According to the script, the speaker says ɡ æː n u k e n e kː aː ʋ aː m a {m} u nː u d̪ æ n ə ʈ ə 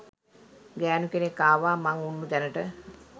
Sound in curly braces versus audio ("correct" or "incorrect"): incorrect